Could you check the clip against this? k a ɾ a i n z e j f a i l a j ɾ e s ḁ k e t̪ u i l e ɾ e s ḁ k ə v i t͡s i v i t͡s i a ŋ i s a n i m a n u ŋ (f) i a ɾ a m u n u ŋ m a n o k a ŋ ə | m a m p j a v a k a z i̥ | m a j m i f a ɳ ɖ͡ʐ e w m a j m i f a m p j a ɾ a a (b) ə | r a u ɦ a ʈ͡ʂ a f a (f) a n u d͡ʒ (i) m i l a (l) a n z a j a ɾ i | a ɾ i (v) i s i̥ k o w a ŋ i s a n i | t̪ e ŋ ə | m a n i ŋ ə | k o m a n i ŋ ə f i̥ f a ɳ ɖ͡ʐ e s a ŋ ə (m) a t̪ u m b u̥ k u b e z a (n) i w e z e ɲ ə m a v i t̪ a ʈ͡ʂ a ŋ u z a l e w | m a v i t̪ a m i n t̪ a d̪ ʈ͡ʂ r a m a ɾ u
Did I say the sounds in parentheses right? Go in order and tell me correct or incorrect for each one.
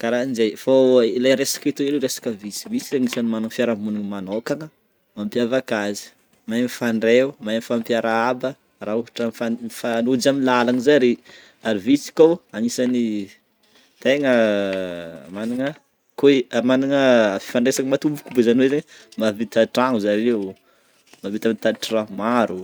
correct, correct, correct, incorrect: a, correct, correct, correct, correct

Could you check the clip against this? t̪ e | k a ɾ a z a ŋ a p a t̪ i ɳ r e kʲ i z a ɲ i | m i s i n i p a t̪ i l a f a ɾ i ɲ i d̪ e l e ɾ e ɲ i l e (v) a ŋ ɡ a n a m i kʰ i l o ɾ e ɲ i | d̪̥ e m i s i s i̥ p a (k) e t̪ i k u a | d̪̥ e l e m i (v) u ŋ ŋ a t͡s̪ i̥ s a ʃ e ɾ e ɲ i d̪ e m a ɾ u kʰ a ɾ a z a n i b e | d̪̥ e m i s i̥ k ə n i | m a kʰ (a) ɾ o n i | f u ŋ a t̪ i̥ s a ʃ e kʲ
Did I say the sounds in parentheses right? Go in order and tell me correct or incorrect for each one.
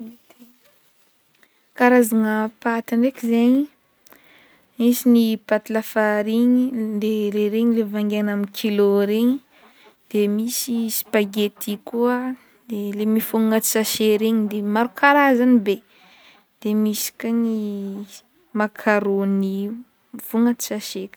correct, incorrect: ɡ, incorrect: f, correct

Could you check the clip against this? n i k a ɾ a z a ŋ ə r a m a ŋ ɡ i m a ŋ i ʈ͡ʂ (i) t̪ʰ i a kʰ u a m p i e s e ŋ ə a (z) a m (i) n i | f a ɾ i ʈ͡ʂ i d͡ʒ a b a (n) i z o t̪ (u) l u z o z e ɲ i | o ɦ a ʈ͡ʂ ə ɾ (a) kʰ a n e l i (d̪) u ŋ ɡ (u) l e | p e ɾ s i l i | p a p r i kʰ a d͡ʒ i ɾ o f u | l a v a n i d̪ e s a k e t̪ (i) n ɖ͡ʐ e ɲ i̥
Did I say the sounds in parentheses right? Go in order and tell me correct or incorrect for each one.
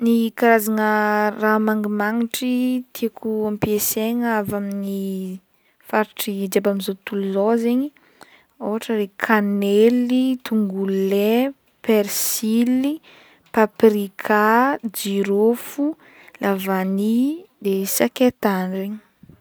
correct, incorrect: v, correct, incorrect: m, correct, incorrect: e, incorrect: t̪, correct, incorrect: a

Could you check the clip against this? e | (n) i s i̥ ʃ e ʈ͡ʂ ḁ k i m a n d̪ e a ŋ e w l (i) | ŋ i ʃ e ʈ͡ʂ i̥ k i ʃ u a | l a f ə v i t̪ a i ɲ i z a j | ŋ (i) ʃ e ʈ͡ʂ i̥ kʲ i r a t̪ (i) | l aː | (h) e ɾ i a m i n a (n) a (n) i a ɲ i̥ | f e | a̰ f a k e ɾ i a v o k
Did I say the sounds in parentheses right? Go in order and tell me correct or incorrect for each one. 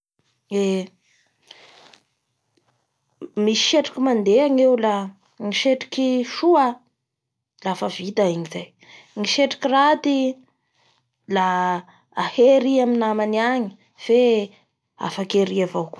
incorrect: m, incorrect: a, correct, correct, correct, incorrect: m, correct

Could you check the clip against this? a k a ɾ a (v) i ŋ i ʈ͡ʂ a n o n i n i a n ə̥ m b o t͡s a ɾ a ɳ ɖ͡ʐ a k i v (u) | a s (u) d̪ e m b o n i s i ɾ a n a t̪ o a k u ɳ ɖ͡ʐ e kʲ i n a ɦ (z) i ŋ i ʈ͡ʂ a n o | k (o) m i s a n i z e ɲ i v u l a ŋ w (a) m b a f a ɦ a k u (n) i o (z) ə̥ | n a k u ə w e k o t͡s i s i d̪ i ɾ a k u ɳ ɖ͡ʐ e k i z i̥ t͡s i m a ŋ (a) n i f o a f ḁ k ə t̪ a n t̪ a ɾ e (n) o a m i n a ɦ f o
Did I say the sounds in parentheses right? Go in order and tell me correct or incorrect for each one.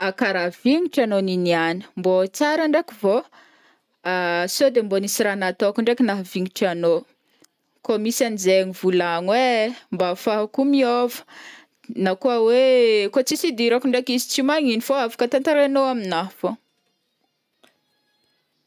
correct, incorrect: o, incorrect: o, incorrect: v, correct, incorrect: e, incorrect: m, incorrect: v, incorrect: i, correct

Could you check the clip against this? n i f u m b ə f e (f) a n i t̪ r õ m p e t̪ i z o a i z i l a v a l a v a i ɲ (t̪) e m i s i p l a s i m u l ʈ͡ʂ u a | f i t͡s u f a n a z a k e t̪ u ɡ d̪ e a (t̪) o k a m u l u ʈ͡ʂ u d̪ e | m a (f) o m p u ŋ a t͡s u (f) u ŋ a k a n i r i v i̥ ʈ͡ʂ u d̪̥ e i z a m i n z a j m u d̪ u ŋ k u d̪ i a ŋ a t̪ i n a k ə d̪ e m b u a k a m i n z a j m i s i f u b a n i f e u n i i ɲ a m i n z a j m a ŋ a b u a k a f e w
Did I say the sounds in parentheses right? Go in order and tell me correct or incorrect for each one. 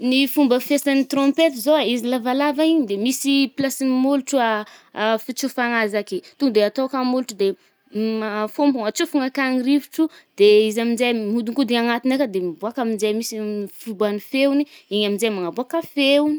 incorrect: s, incorrect: d̪, correct, correct, correct

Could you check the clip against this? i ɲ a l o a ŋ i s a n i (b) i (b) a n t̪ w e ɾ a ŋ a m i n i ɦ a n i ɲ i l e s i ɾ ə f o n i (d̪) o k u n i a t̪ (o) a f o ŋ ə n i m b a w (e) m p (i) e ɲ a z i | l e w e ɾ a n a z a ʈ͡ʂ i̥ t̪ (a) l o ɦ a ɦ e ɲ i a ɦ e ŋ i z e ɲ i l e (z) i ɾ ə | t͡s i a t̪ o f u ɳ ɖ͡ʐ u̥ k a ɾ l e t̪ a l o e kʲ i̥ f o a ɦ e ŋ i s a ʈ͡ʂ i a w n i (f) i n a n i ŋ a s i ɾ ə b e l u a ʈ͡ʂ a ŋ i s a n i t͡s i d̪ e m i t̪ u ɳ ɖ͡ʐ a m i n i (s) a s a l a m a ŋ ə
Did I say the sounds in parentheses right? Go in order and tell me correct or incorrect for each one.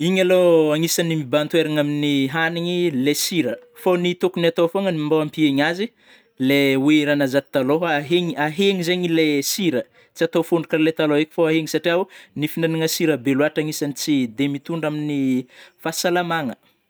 incorrect: m, correct, incorrect: t̪, correct, incorrect: a, correct, correct, incorrect: s, correct, incorrect: f

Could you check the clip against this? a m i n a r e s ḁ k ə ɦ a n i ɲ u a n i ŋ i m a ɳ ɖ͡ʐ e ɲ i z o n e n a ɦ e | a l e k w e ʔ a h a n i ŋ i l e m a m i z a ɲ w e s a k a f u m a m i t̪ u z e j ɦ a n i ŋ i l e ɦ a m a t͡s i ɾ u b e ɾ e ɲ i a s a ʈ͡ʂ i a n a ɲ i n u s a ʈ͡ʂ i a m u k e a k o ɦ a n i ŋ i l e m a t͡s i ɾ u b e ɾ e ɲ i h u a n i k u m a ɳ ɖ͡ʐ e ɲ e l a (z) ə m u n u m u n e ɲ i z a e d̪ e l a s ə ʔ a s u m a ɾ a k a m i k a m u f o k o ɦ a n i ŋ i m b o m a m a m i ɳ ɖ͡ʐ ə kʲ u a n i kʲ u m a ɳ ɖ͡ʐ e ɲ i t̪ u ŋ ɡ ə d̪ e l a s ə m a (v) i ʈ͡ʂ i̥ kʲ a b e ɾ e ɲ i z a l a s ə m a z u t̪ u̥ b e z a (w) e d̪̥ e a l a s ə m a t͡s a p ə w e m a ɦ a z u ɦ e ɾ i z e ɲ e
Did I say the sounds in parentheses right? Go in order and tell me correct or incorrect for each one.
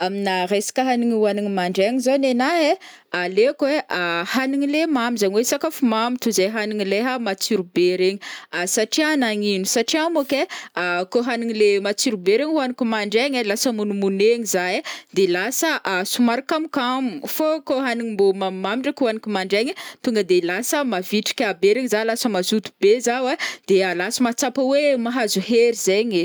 incorrect: s, correct, correct

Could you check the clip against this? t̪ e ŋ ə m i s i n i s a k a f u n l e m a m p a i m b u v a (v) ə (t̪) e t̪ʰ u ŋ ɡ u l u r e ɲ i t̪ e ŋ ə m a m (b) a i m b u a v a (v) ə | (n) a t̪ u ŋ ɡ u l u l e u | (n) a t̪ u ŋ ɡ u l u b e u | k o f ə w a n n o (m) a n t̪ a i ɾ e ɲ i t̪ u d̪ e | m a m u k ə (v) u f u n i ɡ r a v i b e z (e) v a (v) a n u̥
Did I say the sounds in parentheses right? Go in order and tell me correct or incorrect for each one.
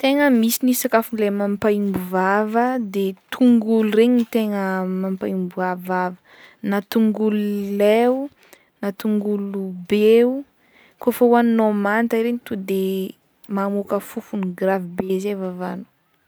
correct, incorrect: d̪, incorrect: p, correct, correct, correct, correct, incorrect: f, correct, correct

